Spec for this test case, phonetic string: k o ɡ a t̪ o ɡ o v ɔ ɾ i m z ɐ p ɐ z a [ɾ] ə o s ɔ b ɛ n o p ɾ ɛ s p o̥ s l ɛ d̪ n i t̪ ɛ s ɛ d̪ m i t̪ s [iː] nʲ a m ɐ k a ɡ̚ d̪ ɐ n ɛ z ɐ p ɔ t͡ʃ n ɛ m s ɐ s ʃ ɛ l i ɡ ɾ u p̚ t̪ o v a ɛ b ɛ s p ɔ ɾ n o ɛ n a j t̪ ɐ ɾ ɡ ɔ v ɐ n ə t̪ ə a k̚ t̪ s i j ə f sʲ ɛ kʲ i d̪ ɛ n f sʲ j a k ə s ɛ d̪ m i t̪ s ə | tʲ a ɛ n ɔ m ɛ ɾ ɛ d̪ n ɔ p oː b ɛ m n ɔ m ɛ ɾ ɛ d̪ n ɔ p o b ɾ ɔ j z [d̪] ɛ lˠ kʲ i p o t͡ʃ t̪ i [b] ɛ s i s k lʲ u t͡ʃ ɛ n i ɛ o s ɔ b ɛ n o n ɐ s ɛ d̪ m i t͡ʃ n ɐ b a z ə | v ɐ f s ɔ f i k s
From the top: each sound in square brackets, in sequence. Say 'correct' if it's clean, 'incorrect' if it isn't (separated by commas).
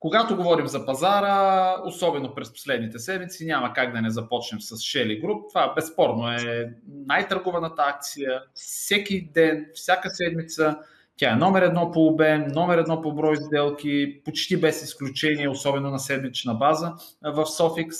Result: correct, incorrect, correct, correct